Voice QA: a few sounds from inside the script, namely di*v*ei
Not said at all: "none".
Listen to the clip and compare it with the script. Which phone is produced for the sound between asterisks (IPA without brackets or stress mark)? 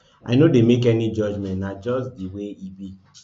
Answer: w